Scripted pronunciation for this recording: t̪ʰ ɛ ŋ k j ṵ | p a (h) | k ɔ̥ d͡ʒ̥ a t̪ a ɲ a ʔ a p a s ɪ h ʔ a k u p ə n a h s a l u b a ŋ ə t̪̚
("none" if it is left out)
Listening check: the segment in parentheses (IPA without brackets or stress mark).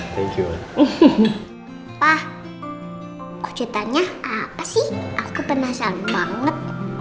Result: h